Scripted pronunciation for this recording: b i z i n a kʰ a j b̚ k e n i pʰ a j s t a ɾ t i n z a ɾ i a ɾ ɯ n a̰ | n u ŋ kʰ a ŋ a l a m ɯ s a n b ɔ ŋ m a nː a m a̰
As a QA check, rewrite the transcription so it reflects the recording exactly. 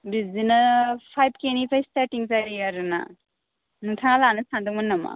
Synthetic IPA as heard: b i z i n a pʰ a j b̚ k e n i pʰ a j s t a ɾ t i ŋ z a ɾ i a ɾ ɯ n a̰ | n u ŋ tʰ a ŋ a l a n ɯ s a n d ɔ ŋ m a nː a m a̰